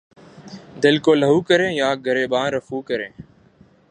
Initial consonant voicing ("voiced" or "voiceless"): voiced